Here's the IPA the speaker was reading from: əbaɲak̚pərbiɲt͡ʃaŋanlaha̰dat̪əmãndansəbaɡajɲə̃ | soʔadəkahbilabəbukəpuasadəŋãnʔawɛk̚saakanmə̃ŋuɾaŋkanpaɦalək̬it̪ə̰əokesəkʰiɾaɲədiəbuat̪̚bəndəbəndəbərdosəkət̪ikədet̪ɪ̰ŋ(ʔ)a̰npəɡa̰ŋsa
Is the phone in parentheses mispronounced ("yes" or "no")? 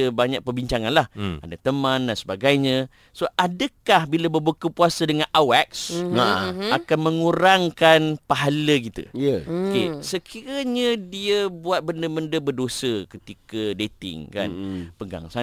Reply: yes